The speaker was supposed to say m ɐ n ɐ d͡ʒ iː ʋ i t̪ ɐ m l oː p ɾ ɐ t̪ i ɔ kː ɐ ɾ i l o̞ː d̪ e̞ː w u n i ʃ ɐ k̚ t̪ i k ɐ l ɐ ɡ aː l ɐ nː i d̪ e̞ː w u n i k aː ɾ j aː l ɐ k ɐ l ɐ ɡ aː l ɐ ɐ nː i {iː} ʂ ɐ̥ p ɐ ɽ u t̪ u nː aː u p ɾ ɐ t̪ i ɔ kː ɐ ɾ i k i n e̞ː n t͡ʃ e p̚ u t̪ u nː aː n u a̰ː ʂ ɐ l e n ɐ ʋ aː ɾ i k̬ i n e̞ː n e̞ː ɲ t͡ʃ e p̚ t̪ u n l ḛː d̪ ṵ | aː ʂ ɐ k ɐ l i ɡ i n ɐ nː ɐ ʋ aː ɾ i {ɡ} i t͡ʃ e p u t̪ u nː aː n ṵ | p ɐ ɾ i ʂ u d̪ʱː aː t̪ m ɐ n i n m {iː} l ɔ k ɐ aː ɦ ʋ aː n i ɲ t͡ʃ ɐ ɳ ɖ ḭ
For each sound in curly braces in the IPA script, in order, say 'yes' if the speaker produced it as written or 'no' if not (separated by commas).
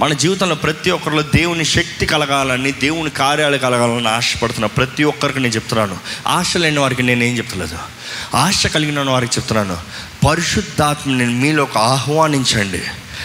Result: no, no, yes